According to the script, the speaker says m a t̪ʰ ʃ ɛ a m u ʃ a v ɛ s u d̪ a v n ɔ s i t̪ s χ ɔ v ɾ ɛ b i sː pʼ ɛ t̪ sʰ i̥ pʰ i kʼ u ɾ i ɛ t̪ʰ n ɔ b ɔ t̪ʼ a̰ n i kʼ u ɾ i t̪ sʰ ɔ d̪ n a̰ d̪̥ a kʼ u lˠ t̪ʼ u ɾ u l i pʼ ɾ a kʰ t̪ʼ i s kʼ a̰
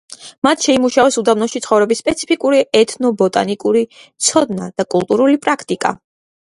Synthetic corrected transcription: m a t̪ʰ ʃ ɛ i m u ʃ a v ɛ s u d̪ a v n ɔ ʃ i t̪ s χ ɔ v ɾ ɛ b i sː pʼ ɛ t̪ sʰ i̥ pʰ i kʼ u ɾ i ɛ t̪ʰ n ɔ b ɔ t̪ʼ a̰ n i kʼ u ɾ i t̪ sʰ ɔ d̪ n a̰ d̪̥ a kʼ u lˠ t̪ʼ u ɾ u l i pʼ ɾ a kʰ t̪ʼ i kʼ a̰